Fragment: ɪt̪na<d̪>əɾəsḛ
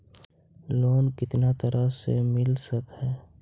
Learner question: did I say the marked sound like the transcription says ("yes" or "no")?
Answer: no